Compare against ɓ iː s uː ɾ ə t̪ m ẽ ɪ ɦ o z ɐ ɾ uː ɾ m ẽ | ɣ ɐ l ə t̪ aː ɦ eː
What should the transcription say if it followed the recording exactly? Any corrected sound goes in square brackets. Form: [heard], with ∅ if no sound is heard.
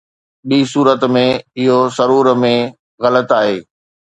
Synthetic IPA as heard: ɓ iː s uː ɾ ə t̪ m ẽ ɪ ɦ o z ɐ ɾ uː ɾ m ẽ | ɣ ɐ l ə t̪ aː ɦ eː

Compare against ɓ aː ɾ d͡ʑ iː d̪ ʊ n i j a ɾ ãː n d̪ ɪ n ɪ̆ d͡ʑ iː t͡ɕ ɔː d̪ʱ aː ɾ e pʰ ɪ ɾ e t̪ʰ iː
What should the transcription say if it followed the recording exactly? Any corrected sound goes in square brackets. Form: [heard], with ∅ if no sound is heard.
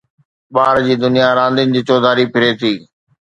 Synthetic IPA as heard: ɓ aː ɾ d͡ʑ iː d̪ ʊ n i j a ɾ ãː n d̪ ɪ n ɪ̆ d͡ʑ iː t͡ɕ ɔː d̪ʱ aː ɾ [i] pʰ ɪ ɾ e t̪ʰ iː

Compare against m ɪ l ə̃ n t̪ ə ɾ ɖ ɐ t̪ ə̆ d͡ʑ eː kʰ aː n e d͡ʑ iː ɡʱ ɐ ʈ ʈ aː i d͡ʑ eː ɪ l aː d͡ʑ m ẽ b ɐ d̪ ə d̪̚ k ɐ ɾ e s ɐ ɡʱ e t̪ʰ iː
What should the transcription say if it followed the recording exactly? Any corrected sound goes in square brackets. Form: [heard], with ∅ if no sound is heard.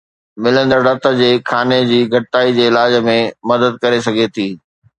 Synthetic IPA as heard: m ɪ l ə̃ n [d̪] ə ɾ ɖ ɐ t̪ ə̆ d͡ʑ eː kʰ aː n e d͡ʑ iː ɡʱ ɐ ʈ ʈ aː i d͡ʑ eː ɪ l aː d͡ʑ m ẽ [m] ɐ d̪ ə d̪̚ k ɐ ɾ e s ɐ ɡʱ e t̪ʰ iː

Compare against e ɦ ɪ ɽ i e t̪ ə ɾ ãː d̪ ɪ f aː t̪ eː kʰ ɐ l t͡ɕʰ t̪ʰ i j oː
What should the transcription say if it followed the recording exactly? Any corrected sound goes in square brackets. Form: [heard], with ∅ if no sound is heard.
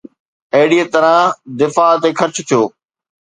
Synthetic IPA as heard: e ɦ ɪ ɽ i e t̪ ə ɾ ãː d̪ ɪ f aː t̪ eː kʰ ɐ [ɾ] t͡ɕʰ t̪ʰ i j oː

